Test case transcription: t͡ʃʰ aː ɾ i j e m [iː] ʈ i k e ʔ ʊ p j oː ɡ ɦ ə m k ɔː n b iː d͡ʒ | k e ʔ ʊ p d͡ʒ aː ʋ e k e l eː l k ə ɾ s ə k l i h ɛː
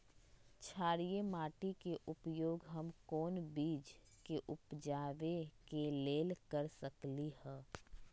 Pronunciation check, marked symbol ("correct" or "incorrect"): incorrect